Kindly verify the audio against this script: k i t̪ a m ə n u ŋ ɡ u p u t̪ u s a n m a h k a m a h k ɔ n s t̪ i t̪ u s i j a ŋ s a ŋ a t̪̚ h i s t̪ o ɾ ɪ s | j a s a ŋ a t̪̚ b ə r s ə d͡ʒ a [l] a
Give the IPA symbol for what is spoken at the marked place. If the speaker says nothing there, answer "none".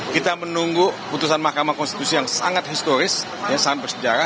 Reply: ɾ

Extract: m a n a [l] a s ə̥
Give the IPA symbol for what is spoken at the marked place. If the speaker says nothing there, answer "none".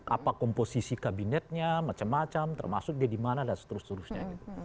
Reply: l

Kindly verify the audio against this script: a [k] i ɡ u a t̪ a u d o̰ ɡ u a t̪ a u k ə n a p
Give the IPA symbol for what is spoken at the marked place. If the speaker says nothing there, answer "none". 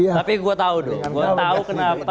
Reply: p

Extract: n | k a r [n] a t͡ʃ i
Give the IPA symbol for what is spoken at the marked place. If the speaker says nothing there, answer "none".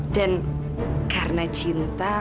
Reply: n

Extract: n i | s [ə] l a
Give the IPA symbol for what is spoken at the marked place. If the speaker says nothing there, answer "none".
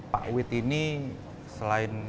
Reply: ə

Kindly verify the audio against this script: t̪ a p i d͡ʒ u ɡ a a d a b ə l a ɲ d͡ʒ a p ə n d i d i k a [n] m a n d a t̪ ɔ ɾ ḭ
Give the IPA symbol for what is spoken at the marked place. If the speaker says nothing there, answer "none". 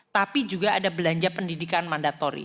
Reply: n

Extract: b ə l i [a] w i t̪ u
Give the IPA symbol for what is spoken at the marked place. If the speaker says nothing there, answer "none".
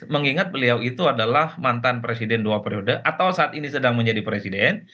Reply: a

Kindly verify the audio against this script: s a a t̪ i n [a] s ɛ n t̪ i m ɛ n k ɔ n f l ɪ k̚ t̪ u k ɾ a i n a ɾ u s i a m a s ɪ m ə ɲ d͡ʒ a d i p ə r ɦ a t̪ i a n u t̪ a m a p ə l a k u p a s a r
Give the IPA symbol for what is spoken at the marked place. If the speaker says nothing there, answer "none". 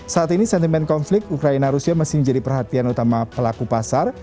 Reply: i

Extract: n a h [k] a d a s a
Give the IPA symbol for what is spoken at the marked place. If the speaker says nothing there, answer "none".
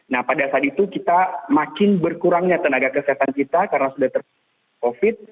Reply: p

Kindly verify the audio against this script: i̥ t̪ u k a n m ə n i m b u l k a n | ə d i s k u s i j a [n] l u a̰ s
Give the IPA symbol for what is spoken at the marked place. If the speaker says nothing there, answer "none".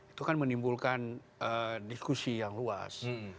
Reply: ŋ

